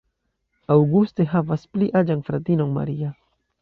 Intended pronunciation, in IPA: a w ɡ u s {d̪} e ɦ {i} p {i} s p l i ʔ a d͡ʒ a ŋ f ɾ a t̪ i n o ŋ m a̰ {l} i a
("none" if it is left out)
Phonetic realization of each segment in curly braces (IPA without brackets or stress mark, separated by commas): t̪, a, a, ɾ